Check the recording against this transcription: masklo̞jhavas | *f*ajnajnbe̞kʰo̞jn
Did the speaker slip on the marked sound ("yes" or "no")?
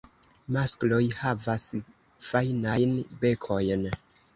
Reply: no